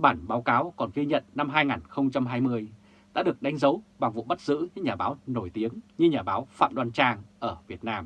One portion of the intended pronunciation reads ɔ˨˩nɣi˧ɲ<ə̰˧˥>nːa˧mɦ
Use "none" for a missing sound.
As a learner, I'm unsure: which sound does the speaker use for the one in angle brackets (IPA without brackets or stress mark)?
ə̰˧˨